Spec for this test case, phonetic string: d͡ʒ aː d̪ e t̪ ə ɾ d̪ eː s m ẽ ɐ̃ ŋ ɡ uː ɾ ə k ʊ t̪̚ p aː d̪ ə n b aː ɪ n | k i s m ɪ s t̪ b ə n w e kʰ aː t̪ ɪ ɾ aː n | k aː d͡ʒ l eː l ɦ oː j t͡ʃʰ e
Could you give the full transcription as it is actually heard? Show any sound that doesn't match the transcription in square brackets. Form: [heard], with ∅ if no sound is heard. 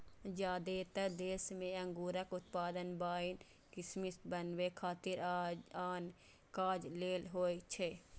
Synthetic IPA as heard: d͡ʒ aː d̪ e t̪ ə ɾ d̪ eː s m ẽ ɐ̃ ŋ ɡ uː ɾ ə k ʊ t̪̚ p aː d̪ ə n b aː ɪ n | k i s m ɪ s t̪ b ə n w e kʰ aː t̪ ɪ ɾ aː n | k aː d͡ʒ l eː l ɦ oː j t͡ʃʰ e